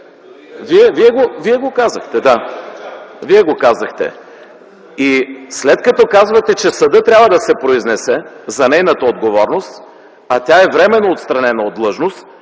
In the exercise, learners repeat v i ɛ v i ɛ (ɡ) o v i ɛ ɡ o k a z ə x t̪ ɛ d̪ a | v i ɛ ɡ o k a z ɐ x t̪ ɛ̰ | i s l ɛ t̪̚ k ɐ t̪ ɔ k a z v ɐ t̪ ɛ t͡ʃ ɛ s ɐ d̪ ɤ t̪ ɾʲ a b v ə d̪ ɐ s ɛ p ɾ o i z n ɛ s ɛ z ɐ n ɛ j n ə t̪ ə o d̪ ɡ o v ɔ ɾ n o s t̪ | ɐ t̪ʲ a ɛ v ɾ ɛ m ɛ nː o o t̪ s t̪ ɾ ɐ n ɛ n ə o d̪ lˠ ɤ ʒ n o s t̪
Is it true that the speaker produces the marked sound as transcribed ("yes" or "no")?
yes